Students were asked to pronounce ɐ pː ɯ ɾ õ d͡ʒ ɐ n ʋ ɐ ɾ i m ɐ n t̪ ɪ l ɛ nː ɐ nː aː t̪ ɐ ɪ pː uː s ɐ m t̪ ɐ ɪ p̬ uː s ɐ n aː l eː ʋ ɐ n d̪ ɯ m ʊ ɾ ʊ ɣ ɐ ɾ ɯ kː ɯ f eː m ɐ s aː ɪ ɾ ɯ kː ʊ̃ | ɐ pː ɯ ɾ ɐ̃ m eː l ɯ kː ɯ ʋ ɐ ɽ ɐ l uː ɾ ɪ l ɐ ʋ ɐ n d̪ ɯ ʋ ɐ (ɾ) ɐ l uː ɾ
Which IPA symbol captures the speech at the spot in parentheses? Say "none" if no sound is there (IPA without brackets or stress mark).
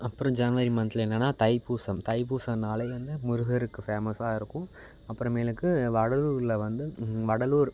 ɽ